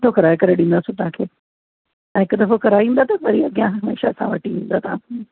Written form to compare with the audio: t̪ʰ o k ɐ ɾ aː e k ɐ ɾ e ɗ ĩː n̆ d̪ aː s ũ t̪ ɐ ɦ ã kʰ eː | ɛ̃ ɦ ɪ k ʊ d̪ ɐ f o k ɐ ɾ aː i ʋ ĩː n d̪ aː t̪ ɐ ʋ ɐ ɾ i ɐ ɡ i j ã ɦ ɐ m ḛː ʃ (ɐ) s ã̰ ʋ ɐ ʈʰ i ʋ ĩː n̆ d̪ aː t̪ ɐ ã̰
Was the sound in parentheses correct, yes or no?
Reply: no